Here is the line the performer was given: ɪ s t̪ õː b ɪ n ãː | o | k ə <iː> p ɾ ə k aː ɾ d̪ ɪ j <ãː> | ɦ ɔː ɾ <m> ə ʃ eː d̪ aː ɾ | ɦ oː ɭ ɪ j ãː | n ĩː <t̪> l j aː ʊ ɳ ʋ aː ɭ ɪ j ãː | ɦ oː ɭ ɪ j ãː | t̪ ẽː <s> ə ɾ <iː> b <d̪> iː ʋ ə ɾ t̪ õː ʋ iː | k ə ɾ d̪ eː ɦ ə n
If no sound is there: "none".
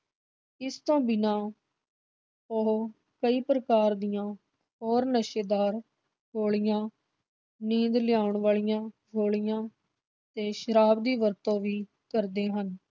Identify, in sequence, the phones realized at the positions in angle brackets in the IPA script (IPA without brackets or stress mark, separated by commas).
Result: iː, ãː, n, d̪, ʃ, aː, d̪